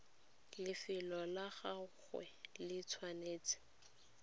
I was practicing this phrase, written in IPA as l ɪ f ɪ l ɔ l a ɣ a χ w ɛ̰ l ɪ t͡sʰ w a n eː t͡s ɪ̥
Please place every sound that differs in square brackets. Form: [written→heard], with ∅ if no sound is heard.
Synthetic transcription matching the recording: l ɪ f ɪ l ɔ l a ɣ a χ w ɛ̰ l ɪ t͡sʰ w a n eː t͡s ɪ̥